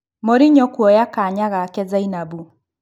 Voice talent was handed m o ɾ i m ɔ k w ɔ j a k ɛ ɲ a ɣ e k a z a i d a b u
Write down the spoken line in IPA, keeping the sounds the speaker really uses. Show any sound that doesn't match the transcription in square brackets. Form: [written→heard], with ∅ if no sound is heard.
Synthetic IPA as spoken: m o ɾ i [m→ɲ] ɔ k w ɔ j a k [ɛ→a] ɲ a ɣ [e→a] k [a→ɛ] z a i [d→n] a b u